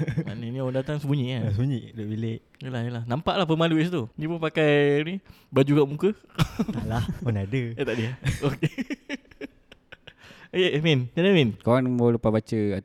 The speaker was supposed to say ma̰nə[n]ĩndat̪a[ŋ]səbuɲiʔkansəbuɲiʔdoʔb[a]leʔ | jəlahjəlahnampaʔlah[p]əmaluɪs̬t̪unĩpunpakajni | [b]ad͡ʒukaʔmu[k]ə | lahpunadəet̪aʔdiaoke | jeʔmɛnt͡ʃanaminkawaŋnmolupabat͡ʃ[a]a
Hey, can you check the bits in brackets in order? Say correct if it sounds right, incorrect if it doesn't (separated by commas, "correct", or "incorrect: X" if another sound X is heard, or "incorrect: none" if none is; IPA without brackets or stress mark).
correct, correct, incorrect: i, correct, correct, correct, incorrect: ə